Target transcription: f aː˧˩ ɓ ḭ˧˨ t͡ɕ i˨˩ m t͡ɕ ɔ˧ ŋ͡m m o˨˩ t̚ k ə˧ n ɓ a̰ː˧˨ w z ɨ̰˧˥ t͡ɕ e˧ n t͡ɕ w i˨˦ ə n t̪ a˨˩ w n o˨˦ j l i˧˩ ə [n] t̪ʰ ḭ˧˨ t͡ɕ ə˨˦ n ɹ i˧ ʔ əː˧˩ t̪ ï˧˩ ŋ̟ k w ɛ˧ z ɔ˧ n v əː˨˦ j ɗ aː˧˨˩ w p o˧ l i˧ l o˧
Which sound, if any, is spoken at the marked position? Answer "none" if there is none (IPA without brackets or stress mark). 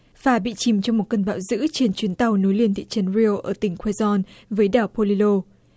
n